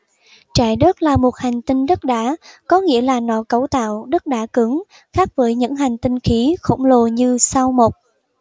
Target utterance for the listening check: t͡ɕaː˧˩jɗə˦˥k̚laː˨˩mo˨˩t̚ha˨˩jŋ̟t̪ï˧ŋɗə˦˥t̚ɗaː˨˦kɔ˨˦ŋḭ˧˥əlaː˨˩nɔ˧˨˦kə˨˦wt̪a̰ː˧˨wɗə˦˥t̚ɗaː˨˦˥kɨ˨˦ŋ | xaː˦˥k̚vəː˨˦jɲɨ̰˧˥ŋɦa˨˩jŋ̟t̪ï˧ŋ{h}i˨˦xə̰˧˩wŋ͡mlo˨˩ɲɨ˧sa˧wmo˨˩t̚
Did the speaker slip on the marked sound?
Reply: yes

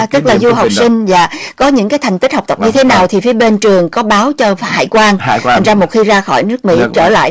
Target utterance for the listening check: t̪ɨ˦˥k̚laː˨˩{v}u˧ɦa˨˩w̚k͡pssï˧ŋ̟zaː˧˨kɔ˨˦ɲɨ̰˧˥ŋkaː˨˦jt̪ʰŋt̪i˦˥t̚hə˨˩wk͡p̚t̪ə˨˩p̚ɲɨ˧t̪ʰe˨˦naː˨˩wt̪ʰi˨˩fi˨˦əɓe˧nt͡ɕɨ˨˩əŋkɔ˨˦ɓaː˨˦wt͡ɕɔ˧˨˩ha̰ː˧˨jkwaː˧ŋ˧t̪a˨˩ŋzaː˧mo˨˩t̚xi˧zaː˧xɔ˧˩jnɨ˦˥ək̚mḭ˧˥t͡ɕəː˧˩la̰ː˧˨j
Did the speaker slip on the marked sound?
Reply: yes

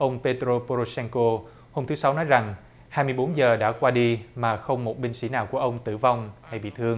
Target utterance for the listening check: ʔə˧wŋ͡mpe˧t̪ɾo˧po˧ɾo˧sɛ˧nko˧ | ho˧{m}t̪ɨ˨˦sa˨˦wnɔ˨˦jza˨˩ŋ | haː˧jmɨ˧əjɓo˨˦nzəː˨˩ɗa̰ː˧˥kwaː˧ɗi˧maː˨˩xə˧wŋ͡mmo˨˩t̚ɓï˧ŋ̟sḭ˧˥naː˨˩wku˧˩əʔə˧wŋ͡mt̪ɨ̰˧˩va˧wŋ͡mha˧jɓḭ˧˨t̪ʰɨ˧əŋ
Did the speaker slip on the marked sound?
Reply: no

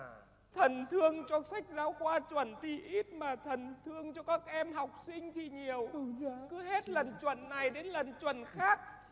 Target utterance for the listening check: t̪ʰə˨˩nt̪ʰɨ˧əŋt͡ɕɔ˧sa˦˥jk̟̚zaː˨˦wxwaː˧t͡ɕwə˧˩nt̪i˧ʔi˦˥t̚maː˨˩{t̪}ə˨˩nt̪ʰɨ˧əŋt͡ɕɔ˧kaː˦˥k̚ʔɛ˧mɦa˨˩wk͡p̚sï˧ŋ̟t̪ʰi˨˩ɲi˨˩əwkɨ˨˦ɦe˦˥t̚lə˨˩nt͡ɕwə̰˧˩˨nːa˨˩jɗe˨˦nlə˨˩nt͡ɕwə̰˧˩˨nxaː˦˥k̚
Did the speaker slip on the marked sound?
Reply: yes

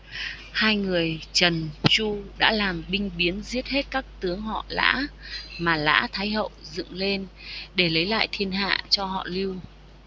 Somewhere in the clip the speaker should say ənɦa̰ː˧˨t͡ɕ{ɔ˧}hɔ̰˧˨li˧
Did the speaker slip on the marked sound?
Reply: no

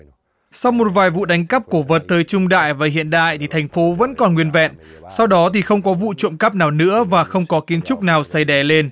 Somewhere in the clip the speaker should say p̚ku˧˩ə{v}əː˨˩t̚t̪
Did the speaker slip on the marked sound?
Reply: no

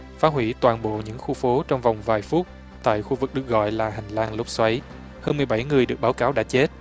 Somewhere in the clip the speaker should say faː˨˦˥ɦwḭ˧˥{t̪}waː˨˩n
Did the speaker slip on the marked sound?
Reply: no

